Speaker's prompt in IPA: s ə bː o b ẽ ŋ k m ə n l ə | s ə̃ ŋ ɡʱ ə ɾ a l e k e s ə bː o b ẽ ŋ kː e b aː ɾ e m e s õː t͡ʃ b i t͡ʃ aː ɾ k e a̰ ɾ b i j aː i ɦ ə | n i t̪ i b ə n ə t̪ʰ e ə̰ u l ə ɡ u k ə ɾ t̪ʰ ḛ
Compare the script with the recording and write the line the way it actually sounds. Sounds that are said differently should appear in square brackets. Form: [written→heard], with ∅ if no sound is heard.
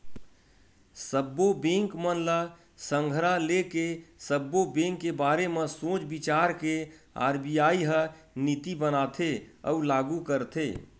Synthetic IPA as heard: s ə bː o b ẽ ŋ k m ə n l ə | s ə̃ ŋ ɡʱ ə ɾ a l e k e s ə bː o b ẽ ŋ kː e b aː ɾ e m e s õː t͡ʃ b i t͡ʃ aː ɾ k e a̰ ɾ b i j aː i ɦ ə | n i t̪ i b ə n [ə→a] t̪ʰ e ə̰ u l [ə→a] ɡ u k ə ɾ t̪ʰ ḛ